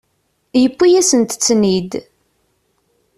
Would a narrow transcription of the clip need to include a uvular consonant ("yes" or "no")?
no